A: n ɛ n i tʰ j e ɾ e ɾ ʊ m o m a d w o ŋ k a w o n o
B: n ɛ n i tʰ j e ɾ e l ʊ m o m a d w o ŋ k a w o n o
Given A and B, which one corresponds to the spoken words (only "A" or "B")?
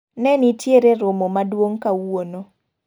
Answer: A